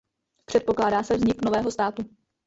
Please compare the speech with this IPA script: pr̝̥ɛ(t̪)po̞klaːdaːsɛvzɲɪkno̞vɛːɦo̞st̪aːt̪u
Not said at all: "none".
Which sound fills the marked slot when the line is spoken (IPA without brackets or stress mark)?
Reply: t̪